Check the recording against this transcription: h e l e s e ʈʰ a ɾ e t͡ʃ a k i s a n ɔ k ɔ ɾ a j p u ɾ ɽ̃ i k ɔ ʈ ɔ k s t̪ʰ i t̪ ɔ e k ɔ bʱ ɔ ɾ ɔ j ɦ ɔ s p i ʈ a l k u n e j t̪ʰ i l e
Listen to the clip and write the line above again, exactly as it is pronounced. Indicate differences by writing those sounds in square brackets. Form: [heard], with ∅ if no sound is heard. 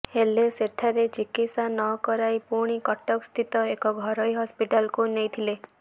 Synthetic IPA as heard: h e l e s e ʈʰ a ɾ e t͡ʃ [i] k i s a n ɔ k ɔ ɾ a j p u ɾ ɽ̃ i k ɔ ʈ ɔ k s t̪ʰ i t̪ ɔ e k ɔ [ɡʱ] ɔ ɾ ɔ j ɦ ɔ s p i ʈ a l k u n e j t̪ʰ i l e